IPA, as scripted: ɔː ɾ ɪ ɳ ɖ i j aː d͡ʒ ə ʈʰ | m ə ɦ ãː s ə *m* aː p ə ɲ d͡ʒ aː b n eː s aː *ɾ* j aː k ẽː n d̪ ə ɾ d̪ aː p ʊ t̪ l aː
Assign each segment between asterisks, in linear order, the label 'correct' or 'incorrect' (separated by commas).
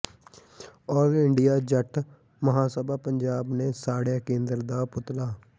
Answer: incorrect, incorrect